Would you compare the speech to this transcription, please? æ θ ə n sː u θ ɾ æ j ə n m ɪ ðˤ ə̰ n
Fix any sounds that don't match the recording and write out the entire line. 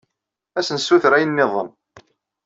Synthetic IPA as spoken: æ s ə n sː u θ ɾ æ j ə n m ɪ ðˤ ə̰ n